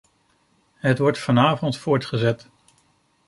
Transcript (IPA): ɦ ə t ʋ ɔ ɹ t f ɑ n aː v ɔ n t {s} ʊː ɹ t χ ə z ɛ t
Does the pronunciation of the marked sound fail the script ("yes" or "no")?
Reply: yes